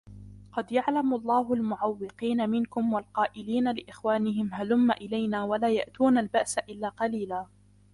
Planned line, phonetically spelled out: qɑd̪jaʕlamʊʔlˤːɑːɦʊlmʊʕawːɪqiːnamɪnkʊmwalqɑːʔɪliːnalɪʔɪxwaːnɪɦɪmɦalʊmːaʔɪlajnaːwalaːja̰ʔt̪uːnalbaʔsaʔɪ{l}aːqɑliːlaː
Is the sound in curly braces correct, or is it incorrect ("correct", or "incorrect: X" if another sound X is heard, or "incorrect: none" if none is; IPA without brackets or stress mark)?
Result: incorrect: lː